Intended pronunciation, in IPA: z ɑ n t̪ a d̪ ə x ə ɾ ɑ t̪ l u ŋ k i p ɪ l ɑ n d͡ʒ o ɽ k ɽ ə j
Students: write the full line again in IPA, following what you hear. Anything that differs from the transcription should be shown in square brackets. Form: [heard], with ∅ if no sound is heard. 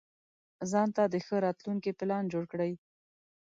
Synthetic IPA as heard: z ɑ n t̪ a d̪ ə x ə ɾ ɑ t̪ l u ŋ k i p ɪ l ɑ n d͡ʒ o ɽ k ɽ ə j